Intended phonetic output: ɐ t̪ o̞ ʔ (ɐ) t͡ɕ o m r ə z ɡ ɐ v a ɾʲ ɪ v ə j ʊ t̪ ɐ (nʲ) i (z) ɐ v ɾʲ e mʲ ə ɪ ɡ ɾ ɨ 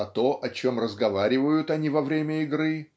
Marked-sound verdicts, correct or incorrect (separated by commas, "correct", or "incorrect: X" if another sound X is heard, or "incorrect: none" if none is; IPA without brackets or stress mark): correct, correct, incorrect: v